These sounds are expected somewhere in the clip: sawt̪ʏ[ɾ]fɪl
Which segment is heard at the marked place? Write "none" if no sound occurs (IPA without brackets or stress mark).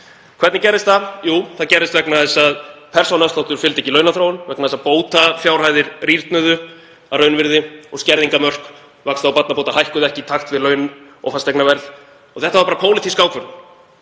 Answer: ɾ